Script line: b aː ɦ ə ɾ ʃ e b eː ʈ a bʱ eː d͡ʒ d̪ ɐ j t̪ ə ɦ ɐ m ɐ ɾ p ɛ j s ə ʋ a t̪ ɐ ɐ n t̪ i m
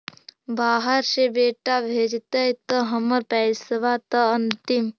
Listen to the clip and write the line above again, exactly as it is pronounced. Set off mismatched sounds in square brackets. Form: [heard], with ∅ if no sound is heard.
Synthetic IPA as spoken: b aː ɦ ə ɾ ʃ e b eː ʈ a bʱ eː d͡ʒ [t̪] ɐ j t̪ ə ɦ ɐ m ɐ ɾ p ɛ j s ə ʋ a t̪ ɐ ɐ n t̪ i m